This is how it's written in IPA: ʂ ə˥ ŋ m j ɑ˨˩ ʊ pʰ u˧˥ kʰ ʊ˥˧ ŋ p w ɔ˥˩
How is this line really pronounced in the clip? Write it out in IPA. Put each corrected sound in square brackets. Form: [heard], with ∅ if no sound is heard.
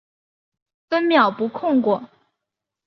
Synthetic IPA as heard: [f] ə˥ [n] m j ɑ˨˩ ʊ [p] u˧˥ kʰ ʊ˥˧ ŋ [k] w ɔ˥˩

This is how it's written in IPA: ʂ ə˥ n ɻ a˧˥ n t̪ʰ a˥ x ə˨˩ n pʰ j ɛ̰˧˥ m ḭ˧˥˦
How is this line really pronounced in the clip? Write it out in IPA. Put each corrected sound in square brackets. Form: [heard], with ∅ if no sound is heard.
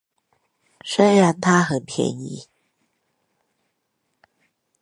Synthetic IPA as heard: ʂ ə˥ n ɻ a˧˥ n t̪ʰ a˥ x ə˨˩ n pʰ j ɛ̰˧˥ [n] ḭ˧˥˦

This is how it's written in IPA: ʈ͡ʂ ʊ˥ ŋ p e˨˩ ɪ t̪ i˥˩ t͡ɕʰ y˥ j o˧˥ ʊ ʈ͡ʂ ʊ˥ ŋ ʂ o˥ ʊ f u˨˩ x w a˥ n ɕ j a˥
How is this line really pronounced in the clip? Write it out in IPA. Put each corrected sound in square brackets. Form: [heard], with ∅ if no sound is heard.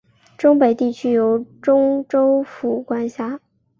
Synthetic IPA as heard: ʈ͡ʂ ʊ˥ ŋ p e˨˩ ɪ t̪ i˥˩ t͡ɕʰ y˥ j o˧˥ ʊ ʈ͡ʂ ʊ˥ ŋ [ʈ͡ʂ] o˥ ʊ f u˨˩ [k] w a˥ n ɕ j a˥

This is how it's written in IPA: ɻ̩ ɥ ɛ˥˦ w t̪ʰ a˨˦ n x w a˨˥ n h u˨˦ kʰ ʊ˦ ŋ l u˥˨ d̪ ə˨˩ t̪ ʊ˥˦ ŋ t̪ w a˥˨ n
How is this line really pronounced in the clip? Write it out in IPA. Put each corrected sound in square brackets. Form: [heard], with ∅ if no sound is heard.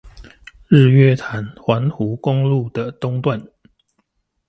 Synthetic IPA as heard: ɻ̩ ɥ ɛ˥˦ [∅] t̪ʰ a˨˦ n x w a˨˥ n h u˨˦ [k] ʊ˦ ŋ l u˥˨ d̪ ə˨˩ t̪ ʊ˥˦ ŋ t̪ w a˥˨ n

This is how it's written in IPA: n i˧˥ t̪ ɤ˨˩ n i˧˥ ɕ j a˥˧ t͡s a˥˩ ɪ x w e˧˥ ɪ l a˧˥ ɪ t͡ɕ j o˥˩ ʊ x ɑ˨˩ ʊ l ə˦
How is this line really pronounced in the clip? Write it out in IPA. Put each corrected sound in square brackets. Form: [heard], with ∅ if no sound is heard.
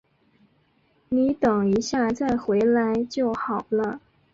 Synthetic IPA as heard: n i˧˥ t̪ ɤ˨˩ [ŋ] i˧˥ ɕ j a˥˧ t͡s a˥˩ ɪ x w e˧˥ ɪ l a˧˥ ɪ t͡ɕ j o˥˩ ʊ x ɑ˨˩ ʊ l ə˦

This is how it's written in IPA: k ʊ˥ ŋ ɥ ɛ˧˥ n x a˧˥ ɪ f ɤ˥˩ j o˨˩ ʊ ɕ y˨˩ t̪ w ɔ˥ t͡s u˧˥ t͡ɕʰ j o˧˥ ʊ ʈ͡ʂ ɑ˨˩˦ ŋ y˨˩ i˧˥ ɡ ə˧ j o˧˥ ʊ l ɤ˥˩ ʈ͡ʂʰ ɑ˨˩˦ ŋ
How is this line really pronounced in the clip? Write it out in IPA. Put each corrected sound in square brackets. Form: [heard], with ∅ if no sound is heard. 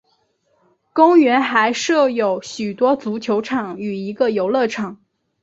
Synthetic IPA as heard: k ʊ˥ ŋ ɥ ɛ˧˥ n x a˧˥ ɪ [ʂ] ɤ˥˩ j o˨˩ ʊ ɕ y˨˩ t̪ w ɔ˥ t͡s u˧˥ t͡ɕʰ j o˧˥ ʊ [ʈ͡ʂʰ] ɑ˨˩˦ ŋ y˨˩ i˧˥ ɡ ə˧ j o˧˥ ʊ l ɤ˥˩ ʈ͡ʂʰ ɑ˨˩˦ ŋ

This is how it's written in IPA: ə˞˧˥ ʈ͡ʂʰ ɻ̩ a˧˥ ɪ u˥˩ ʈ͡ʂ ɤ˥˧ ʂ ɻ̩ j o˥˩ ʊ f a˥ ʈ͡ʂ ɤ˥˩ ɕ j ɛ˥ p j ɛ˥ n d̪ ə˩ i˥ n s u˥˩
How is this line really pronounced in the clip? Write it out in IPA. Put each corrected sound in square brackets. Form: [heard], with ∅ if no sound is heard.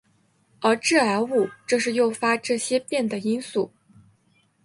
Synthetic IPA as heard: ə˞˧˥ [ʈ͡ʂ] ɻ̩ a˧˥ ɪ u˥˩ ʈ͡ʂ ɤ˥˧ ʂ ɻ̩ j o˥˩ ʊ f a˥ ʈ͡ʂ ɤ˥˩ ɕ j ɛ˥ p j [ɛ˥˩] n d̪ ə˩ i˥ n s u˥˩

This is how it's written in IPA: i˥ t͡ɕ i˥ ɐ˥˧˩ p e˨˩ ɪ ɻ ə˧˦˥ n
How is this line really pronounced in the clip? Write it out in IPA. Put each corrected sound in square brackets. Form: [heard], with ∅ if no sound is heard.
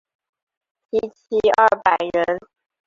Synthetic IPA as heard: i˥ [t͡ɕʰ] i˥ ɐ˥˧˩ p [a˨˩] ɪ ɻ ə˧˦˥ n

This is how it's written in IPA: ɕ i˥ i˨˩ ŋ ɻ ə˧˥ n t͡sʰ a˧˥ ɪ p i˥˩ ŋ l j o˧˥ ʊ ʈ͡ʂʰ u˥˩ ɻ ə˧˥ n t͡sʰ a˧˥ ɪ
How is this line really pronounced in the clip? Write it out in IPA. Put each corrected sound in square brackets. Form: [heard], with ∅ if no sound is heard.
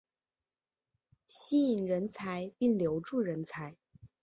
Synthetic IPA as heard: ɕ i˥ i˨˩ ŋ ɻ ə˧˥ n t͡sʰ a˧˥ ɪ p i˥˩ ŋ l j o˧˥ ʊ [ʈ͡ʂ] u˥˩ ɻ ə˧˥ n t͡sʰ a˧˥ ɪ

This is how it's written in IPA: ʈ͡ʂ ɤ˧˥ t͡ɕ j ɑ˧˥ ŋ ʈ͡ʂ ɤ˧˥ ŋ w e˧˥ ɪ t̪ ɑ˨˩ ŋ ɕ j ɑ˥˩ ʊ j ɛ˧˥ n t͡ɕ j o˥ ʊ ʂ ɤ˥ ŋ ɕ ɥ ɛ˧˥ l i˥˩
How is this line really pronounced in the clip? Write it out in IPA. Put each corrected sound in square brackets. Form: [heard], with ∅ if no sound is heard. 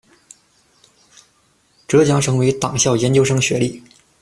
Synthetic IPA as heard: ʈ͡ʂ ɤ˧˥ t͡ɕ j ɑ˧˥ ŋ [ʈ͡ʂʰ] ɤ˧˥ ŋ w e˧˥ ɪ t̪ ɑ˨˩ ŋ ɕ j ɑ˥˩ ʊ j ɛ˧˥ n t͡ɕ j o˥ ʊ ʂ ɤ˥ ŋ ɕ ɥ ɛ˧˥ l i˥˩

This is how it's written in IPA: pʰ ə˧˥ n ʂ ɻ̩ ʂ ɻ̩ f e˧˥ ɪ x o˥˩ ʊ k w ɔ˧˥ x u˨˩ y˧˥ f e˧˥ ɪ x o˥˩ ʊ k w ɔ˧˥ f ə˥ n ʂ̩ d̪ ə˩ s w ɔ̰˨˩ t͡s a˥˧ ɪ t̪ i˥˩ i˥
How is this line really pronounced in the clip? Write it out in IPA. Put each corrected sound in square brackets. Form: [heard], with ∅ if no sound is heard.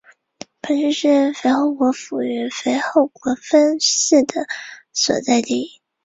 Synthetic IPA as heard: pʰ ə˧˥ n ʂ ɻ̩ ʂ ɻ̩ f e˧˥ ɪ x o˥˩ ʊ k w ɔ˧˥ [f] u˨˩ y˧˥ f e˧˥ ɪ x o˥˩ ʊ k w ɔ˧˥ f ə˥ n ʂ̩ d̪ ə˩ s w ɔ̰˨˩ t͡s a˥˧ ɪ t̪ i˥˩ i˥

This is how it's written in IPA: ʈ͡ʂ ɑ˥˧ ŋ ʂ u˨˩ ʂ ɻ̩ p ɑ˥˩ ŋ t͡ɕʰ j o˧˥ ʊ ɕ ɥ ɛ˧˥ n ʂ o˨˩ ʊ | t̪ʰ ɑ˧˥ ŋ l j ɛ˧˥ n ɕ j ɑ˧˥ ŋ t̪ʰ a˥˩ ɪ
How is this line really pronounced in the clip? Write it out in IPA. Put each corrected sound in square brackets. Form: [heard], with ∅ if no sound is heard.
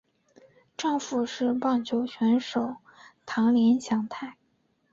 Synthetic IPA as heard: ʈ͡ʂ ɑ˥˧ ŋ [f] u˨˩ ʂ ɻ̩ p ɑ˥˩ ŋ t͡ɕʰ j o˧˥ ʊ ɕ ɥ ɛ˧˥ n ʂ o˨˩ ʊ | t̪ʰ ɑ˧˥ ŋ l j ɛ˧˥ n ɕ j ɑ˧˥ ŋ t̪ʰ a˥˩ ɪ

